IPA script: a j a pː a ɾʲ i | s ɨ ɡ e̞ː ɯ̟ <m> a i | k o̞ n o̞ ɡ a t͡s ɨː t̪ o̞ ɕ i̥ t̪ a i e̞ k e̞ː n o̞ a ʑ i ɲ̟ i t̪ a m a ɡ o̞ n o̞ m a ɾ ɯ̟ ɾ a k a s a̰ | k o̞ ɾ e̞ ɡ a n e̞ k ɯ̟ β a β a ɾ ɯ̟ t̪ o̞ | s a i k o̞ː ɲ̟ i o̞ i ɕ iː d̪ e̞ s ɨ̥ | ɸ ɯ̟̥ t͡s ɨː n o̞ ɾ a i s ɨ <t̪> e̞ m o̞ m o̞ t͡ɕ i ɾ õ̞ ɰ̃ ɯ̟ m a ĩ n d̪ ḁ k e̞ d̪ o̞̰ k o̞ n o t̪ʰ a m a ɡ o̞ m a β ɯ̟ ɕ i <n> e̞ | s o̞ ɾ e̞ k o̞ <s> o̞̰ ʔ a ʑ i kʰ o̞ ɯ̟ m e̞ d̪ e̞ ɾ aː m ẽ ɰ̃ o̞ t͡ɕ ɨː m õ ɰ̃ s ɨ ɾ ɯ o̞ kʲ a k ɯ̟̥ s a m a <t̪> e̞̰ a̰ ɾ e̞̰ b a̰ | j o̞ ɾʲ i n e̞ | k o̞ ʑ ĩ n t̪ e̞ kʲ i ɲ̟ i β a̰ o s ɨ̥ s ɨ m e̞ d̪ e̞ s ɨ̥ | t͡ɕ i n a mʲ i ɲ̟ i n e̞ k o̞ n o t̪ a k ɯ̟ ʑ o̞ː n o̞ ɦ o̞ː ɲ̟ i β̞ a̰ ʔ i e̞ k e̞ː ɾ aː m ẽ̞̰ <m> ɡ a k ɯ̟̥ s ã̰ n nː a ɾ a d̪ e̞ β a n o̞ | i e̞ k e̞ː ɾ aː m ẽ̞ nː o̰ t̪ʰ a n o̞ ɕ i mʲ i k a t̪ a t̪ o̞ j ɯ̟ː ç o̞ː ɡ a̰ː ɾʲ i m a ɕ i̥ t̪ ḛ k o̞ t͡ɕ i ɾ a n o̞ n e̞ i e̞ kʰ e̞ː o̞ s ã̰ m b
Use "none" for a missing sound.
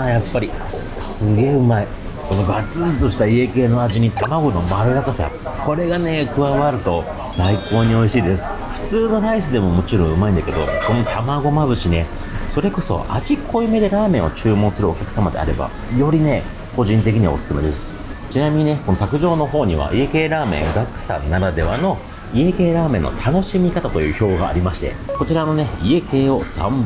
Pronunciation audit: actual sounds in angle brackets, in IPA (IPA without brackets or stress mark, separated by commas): m, d̪, n, s, d̪, ŋ